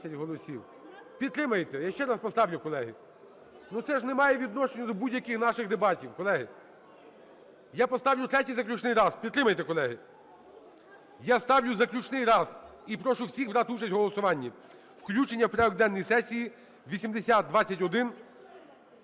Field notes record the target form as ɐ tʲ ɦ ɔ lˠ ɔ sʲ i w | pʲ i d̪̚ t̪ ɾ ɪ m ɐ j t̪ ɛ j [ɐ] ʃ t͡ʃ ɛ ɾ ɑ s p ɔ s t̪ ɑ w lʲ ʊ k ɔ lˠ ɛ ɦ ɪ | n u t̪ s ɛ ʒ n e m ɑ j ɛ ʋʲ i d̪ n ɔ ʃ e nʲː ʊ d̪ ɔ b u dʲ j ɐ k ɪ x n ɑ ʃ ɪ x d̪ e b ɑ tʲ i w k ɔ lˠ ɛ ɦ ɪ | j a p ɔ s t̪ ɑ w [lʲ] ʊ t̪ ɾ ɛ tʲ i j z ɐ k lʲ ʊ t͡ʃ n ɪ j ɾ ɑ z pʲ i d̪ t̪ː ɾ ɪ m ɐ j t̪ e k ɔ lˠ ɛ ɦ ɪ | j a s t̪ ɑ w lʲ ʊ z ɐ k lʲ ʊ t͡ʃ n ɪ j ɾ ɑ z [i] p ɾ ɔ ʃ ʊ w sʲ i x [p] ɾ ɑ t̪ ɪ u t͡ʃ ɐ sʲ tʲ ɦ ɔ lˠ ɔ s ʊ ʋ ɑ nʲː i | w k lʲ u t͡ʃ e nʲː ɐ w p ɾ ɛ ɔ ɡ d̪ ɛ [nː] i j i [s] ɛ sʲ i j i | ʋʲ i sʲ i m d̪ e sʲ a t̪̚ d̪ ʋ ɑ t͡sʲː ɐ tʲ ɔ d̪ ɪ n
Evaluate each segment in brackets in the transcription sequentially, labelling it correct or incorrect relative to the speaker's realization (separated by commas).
incorrect, correct, correct, incorrect, correct, correct